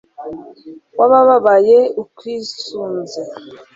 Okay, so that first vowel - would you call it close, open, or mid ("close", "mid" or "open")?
open